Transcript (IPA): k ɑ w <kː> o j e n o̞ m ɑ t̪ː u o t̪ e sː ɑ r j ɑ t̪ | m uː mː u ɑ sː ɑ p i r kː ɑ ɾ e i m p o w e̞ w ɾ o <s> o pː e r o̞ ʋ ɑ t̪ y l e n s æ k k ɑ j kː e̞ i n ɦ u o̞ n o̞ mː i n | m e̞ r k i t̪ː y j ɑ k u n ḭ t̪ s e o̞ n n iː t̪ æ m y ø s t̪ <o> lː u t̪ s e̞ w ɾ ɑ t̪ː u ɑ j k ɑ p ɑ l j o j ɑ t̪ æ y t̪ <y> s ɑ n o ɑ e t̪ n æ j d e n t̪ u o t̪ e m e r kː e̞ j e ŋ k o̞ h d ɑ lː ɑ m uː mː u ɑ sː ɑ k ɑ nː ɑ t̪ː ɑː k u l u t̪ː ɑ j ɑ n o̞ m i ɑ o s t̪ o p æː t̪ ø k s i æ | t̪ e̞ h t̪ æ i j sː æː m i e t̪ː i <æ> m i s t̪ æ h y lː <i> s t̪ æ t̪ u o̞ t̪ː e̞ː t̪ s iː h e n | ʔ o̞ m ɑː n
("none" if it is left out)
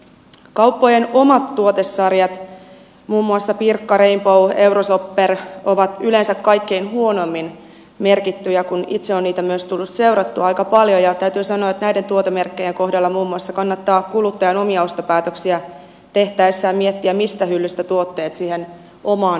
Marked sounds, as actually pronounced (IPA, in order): pː, s, u, yː, æ, y

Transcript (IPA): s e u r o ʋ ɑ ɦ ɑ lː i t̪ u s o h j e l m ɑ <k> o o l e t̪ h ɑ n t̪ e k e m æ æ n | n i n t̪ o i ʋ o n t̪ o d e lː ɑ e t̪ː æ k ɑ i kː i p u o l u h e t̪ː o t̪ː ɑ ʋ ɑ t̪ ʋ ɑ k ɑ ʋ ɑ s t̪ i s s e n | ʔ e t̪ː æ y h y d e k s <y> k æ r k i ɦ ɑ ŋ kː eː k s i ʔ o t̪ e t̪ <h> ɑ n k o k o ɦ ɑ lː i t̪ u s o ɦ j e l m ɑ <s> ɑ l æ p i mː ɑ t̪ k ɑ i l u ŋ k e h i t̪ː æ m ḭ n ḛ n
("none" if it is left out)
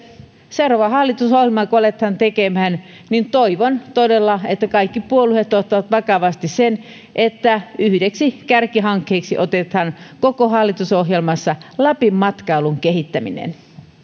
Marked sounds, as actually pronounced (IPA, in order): k, i, h, sː

